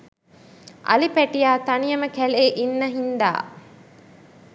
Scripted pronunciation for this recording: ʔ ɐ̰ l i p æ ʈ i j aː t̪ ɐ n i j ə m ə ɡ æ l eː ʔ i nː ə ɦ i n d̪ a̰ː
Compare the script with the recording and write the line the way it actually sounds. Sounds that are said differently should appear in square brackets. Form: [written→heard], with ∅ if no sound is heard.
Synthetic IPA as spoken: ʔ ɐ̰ l i p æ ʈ i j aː t̪ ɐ n i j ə m ə [ɡ→k] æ l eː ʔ i nː ə ɦ i n d̪ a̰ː